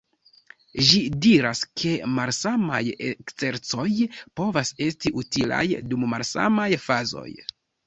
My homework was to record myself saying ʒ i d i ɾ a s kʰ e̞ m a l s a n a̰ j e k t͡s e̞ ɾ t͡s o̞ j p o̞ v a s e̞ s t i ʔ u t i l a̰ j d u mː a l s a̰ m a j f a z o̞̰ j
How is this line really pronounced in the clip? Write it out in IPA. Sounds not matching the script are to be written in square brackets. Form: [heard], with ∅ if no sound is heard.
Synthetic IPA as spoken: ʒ i d i ɾ a s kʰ e̞ m a l s a [m] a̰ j e k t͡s e̞ ɾ t͡s o̞ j p o̞ v a s e̞ s t i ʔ u t i l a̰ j d u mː a l s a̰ m a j f a z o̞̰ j